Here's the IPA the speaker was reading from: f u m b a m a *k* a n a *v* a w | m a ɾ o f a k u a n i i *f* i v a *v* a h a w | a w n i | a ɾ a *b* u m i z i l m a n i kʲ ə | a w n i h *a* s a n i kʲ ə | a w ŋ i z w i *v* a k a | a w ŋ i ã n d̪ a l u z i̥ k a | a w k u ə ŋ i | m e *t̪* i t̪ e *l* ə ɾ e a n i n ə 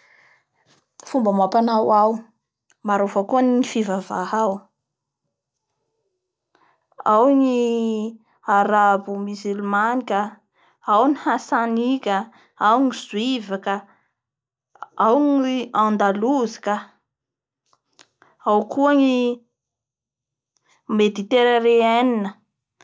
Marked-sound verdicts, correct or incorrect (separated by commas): incorrect, incorrect, correct, correct, correct, correct, correct, incorrect, incorrect